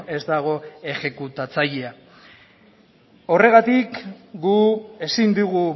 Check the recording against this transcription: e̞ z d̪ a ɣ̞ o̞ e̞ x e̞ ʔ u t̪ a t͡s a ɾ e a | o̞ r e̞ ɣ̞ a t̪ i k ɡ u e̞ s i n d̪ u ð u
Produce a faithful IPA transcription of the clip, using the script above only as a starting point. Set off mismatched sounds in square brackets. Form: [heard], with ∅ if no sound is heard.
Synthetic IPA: e̞ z d̪ a ɣ̞ o̞ e̞ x e̞ [k] u t̪ a t͡s a [ʎ] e a | o̞ r e̞ ɣ̞ a t̪ i k ɡ u e̞ s i n d̪ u [ɣ] u